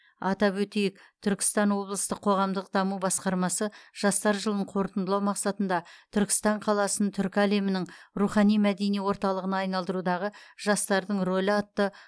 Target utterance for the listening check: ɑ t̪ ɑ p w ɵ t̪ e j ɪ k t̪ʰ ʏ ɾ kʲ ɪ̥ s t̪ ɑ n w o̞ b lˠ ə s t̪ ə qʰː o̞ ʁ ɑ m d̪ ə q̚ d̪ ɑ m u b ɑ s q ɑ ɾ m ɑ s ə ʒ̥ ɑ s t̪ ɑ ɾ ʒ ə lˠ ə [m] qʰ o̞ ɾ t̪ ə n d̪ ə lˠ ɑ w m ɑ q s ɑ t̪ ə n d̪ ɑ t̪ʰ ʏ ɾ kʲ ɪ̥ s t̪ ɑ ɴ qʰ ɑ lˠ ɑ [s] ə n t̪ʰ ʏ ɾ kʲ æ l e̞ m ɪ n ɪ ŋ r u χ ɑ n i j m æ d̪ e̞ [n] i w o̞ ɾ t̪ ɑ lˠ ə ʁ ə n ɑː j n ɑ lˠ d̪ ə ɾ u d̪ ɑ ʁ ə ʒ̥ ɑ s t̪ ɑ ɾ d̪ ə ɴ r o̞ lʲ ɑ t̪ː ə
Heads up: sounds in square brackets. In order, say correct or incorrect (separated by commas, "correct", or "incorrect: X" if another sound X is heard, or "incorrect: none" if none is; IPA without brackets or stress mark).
incorrect: ɴ, correct, correct